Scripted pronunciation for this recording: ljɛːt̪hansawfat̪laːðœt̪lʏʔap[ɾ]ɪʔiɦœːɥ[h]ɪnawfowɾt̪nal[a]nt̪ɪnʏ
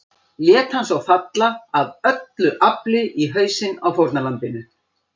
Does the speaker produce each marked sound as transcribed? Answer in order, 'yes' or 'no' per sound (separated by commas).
no, no, yes